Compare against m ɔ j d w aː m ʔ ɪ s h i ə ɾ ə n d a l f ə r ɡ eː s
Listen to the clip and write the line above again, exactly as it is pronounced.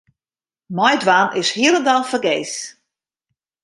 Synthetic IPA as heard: m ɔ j d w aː n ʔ ɪ s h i ə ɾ ə n d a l f ə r ɡ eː s